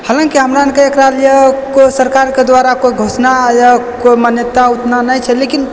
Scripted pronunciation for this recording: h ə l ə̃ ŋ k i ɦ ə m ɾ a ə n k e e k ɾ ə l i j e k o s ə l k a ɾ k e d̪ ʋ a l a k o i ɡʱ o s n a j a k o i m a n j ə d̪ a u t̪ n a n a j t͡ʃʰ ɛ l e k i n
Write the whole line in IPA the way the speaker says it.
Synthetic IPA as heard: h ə l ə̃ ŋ k i ɦ ə m ɾ a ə n k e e k ɾ a l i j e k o s ə ɾ k a ɾ k e d̪ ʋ a ɾ a k o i ɡʱ o s n a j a k o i m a n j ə t̪ a u t̪ n a n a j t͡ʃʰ ɛ l e k i n